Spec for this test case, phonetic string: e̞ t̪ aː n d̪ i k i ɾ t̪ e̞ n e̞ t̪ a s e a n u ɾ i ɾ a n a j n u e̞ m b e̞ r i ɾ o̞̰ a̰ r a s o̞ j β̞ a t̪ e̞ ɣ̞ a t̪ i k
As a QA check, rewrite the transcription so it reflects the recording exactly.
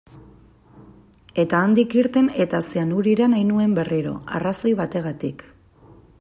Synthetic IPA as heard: e̞ t̪ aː n d̪ i k i ɾ t̪ e̞ n e̞ t̪ a s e a n u ɾ i ɾ a n a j n u e̞ m b e̞ r i ɾ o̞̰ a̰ r a s o̞ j β̞ a t̪ e̞ ɣ̞ a t̪ i k